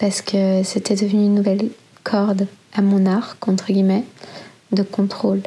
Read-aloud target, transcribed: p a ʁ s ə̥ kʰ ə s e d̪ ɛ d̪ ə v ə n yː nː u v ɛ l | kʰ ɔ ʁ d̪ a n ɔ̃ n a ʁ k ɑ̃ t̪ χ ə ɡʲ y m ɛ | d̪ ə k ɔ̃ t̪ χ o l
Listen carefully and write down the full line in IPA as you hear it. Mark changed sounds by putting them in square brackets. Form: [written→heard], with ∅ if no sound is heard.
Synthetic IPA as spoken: p a ʁ s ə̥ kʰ ə s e [d̪→t̪] ɛ d̪ ə v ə n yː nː u v ɛ l | kʰ ɔ ʁ d̪ a [n→m] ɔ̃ n a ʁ k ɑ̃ t̪ χ ə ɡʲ [y→i] m ɛ | d̪ ə k ɔ̃ t̪ χ o l